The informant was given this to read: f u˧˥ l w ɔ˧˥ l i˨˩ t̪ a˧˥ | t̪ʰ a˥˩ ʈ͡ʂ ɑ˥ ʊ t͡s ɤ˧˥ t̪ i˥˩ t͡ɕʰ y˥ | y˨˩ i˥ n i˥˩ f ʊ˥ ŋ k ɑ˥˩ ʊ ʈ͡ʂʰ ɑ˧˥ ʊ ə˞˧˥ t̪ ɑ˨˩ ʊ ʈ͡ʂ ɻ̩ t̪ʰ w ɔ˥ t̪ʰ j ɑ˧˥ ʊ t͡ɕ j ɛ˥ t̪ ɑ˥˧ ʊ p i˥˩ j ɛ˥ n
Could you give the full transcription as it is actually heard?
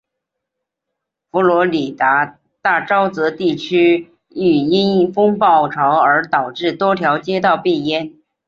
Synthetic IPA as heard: f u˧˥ l w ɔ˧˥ l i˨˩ t̪ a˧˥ | t̪ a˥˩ ʈ͡ʂ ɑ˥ ʊ t͡s ɤ˧˥ t̪ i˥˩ t͡ɕʰ y˥ | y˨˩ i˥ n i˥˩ f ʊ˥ ŋ p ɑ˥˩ ʊ ʈ͡ʂʰ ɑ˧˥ ʊ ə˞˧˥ t̪ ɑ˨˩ ʊ ʈ͡ʂ ɻ̩ t̪ w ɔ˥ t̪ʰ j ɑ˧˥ ʊ t͡ɕ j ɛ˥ t̪ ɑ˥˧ ʊ p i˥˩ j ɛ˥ n